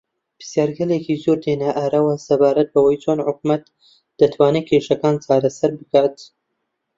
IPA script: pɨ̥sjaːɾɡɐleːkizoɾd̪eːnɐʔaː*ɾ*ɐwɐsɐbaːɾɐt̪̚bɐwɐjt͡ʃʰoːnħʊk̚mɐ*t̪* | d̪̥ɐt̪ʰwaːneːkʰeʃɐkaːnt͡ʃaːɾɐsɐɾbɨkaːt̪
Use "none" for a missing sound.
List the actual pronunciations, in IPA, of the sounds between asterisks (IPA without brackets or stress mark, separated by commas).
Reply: ɾ, t̪